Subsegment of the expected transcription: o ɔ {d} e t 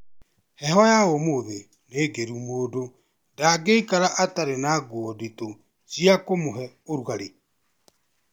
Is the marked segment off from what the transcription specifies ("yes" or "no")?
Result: no